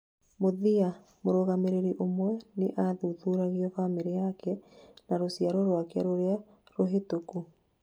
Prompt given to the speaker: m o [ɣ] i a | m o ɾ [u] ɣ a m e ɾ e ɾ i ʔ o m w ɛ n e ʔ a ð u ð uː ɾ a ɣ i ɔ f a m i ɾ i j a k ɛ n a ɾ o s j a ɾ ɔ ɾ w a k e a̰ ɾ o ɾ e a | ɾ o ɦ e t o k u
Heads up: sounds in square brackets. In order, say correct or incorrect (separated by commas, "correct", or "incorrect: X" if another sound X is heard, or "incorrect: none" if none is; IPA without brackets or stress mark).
incorrect: ð, incorrect: o